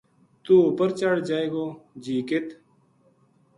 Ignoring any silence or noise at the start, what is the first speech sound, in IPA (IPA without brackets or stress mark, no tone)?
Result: t̪